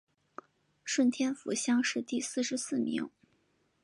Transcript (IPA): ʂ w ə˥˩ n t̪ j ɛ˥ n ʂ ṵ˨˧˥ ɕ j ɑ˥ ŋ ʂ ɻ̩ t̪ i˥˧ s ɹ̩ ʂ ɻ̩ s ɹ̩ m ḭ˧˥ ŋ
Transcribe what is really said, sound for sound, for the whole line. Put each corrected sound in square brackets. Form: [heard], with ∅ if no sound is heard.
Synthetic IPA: ʂ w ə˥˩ n [t̪ʰ] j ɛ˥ n [f] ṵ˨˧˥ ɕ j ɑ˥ ŋ ʂ ɻ̩ t̪ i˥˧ s ɹ̩ ʂ ɻ̩ s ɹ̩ m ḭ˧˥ ŋ